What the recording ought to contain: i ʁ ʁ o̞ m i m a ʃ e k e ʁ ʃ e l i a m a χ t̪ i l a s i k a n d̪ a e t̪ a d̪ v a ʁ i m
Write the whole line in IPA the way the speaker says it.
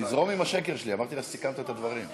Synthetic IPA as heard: i z ʁ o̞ m i m a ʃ e k e ʁ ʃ e l i a m a ʁ t̪ i l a s i k a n t̪ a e t̪ a d̪ v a ʁ i m